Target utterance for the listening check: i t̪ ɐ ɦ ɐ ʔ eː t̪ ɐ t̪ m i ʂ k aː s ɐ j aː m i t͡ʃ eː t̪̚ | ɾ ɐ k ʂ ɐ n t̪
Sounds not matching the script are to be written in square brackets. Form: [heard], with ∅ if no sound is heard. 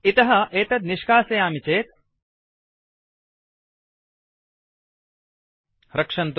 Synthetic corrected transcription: i t̪ ɐ ɦ ɐ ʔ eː t̪ ɐ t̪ [n] i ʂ k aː s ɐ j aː m i t͡ʃ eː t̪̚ | ɾ ɐ k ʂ ɐ n t̪